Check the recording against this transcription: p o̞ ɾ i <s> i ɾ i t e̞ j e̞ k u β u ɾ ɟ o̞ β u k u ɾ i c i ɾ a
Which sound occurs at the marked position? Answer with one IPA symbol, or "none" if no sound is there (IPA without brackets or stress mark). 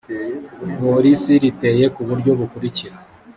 s